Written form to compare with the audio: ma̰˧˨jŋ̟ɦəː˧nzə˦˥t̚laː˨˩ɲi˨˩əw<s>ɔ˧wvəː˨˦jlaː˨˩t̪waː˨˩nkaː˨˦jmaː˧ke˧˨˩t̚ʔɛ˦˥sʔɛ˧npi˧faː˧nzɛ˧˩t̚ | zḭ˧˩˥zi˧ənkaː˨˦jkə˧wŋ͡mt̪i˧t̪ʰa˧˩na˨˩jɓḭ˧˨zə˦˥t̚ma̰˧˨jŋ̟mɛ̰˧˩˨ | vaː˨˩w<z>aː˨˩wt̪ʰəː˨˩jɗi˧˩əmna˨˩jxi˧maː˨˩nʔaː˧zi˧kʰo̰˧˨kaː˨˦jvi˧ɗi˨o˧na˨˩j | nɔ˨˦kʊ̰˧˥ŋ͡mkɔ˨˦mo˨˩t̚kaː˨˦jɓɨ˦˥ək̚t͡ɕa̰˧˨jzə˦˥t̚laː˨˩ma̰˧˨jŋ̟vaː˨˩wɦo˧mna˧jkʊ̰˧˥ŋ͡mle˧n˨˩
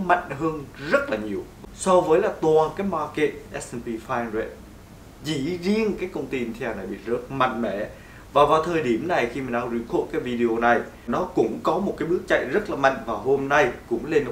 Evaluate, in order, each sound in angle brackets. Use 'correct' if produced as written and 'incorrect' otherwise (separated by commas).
correct, incorrect